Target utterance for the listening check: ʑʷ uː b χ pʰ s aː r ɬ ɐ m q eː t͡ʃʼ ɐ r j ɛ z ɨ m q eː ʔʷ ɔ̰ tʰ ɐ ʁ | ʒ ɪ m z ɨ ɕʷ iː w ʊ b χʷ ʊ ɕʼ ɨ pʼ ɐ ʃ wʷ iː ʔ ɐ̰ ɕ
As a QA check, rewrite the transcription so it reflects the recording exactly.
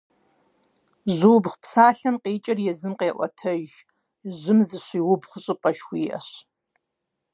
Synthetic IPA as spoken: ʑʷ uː b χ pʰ s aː ɬ ɐ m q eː t͡ʃʼ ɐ r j ɛ z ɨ m q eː ʔʷ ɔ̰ tʰ ɐ ʒ | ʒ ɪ m z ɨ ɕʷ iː w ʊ b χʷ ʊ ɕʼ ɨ pʼ ɐ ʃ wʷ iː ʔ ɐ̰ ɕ